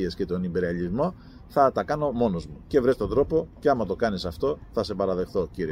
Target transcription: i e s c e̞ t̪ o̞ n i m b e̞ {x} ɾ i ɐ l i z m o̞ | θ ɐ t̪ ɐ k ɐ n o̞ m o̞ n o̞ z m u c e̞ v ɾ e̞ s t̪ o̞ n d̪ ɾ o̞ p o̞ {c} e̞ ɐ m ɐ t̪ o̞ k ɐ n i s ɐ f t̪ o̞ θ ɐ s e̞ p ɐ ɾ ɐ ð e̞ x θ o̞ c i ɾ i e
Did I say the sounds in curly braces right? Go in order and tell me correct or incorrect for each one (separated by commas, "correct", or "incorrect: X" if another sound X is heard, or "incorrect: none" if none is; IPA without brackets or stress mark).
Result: incorrect: none, correct